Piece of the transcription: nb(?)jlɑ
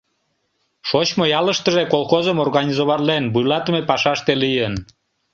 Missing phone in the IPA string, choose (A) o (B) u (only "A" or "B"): B